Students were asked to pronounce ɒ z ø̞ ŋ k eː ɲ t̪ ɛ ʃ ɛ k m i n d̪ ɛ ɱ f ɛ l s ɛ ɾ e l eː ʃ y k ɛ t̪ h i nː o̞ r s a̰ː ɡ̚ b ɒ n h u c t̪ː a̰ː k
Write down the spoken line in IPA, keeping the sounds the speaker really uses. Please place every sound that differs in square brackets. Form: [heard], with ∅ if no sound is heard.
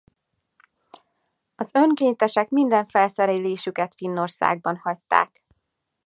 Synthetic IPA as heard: ɒ z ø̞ ŋ k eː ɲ t̪ ɛ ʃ ɛ k m i n d̪ ɛ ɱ f ɛ l s ɛ ɾ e l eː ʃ y k ɛ t̪ [f] i nː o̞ r s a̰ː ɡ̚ b ɒ n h [ɒ] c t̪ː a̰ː k